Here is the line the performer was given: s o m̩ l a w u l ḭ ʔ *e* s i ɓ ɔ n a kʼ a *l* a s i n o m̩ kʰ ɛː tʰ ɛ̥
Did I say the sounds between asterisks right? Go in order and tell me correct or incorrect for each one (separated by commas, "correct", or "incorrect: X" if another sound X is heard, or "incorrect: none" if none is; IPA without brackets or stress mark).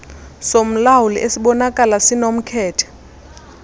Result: correct, correct